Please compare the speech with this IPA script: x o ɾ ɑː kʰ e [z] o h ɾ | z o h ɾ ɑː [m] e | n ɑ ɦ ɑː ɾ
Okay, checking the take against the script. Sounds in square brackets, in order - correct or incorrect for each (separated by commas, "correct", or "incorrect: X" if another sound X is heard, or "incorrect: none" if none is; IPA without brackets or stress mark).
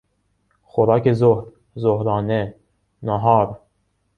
correct, incorrect: n